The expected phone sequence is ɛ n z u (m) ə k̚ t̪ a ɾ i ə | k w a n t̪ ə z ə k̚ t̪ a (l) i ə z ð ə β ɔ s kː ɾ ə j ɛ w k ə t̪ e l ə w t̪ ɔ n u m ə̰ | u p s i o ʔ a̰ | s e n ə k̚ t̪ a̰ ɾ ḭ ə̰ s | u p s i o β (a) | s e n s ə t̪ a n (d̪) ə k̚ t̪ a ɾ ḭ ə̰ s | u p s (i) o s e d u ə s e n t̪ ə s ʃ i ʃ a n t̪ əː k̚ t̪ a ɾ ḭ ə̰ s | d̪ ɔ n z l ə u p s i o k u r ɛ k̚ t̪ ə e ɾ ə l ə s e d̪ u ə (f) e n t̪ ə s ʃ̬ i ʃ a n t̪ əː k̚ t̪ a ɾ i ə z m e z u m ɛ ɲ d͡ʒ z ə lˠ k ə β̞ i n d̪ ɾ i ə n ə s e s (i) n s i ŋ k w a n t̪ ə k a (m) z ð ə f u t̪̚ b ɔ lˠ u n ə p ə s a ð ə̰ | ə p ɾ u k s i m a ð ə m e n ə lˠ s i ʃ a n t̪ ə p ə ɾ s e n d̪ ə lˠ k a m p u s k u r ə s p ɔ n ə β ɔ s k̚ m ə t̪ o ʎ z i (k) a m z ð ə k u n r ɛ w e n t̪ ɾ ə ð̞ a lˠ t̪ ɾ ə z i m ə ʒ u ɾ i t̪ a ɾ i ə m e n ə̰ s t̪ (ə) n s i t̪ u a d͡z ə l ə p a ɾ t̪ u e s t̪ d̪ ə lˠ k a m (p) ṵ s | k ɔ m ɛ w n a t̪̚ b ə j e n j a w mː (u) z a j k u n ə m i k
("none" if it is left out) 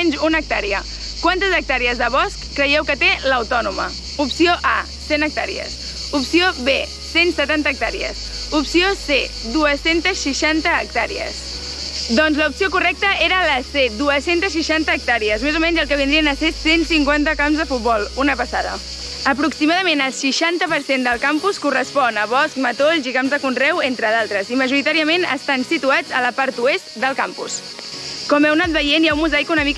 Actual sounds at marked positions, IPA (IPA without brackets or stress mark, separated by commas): n, ɾ, e, t̪, i, s, e, m, k, a, p, u